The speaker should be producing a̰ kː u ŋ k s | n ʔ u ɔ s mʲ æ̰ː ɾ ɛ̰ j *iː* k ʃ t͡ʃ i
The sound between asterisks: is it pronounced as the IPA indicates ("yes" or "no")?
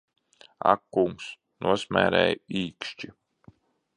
yes